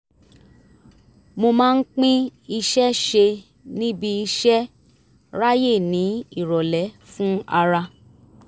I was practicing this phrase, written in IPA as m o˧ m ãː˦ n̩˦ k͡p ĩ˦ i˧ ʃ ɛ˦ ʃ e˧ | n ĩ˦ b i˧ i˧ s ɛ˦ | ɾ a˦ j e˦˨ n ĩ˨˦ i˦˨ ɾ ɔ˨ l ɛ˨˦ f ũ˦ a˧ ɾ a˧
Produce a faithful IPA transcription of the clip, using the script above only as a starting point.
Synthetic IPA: m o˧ m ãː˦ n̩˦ k͡p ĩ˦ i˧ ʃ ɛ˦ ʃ e˧ | n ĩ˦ b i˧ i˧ ʃ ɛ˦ | ɾ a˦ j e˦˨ n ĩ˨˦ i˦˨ ɾ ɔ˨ l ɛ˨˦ f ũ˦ a˧ ɾ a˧